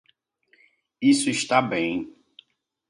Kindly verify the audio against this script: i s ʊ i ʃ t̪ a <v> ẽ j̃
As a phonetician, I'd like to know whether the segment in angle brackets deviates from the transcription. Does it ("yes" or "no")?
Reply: yes